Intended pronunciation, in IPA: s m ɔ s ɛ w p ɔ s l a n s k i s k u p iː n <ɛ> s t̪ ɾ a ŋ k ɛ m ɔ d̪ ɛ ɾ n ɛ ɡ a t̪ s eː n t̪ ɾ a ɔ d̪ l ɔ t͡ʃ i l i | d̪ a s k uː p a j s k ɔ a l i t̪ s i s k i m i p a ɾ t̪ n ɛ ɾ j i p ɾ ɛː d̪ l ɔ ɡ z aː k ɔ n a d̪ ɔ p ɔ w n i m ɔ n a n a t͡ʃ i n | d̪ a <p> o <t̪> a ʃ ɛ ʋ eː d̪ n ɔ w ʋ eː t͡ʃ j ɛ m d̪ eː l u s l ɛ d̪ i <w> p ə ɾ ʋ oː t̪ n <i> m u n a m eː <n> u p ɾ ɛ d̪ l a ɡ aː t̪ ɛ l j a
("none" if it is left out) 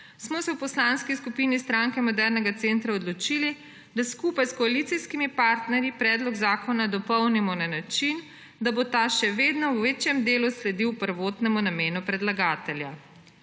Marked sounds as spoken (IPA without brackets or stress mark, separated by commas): i, b, t̪, w, ɛ, n